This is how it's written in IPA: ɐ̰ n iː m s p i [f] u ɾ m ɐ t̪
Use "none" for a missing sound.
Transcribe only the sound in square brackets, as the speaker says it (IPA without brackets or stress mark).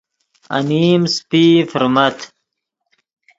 f